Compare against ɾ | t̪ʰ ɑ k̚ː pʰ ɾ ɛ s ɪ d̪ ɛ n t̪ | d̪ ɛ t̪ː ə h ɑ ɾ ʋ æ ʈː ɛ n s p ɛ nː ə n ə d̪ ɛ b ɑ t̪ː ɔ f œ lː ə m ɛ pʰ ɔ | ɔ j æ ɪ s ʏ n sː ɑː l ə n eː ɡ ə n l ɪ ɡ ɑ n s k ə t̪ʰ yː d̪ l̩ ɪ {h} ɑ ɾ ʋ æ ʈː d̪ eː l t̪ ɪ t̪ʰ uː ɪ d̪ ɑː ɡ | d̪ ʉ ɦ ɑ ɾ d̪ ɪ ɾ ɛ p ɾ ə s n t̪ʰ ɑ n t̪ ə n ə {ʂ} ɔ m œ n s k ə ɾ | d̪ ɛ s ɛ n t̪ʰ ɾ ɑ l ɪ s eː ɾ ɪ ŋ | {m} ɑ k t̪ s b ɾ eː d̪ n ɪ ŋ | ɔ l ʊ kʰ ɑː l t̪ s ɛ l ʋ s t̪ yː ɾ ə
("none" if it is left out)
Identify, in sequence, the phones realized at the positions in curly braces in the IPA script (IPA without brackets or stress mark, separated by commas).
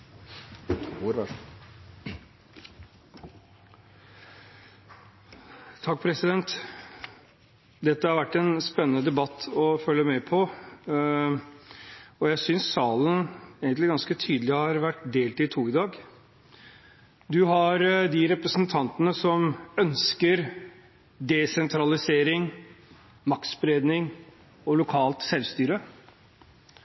h, s, m